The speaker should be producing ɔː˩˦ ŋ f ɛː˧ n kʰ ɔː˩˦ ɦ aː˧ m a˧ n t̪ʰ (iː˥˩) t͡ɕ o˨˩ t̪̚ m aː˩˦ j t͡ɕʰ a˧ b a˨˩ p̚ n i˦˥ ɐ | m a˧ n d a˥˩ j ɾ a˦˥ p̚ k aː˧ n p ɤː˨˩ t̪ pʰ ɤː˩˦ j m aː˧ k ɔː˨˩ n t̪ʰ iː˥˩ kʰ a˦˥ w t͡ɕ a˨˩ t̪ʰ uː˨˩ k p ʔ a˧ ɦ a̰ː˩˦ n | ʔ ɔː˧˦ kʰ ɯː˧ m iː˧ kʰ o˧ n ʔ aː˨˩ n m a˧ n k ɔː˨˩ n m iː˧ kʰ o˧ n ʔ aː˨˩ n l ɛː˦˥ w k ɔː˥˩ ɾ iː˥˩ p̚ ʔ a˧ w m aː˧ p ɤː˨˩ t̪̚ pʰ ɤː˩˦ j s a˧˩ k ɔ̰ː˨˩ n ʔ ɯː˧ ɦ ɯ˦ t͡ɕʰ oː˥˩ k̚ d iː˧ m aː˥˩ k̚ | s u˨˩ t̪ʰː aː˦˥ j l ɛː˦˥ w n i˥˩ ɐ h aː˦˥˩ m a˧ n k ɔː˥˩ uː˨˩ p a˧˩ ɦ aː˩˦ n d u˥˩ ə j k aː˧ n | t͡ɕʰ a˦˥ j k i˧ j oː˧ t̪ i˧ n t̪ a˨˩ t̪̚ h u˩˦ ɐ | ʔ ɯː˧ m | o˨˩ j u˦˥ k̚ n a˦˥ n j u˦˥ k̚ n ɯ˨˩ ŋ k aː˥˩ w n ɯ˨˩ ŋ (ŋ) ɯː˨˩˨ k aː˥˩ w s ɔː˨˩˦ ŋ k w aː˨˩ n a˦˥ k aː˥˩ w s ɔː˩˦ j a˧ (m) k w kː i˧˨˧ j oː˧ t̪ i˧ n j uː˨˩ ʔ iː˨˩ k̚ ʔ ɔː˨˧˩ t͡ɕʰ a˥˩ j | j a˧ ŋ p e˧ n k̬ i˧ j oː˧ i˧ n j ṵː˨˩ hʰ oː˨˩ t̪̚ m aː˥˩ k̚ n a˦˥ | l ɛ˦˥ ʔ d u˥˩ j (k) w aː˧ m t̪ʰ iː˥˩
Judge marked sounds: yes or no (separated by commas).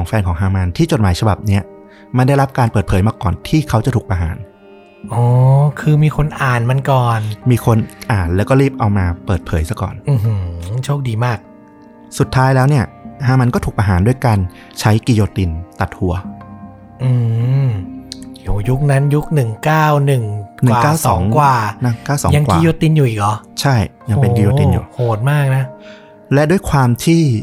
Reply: yes, no, no, no